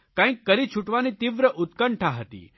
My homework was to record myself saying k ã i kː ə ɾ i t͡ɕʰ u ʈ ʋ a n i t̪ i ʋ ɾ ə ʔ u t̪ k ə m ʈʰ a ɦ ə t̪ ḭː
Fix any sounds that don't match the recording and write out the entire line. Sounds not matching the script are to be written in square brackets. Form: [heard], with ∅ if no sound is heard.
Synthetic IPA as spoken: k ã i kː ə ɾ i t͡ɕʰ u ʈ ʋ a n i t̪ i ʋ ɾ ə ʔ u t̪ k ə [ɳ] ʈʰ a ɦ ə t̪ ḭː